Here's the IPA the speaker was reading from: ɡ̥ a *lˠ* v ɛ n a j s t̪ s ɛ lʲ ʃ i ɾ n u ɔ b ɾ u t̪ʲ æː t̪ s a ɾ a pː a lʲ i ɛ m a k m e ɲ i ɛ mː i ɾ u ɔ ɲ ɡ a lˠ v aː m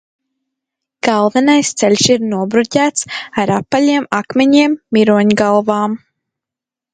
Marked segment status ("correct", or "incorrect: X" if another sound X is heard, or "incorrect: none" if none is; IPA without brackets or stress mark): correct